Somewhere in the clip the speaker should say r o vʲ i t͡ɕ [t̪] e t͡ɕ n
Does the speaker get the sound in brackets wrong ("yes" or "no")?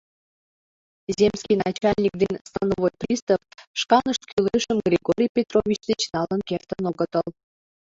yes